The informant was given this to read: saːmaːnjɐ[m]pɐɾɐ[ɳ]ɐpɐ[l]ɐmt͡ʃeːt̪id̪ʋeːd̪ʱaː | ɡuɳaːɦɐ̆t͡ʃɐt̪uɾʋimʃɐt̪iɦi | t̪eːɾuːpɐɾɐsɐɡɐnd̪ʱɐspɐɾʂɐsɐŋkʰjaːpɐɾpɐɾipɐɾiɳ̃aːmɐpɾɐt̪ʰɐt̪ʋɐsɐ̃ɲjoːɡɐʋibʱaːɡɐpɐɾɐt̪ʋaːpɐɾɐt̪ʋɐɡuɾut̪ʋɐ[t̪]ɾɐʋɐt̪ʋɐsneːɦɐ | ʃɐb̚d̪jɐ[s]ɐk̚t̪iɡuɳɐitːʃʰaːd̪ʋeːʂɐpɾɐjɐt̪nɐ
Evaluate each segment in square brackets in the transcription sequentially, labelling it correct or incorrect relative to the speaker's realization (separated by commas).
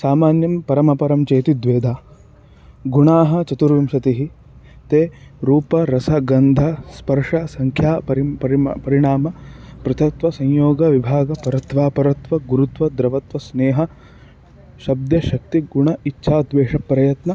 correct, incorrect, incorrect, incorrect, incorrect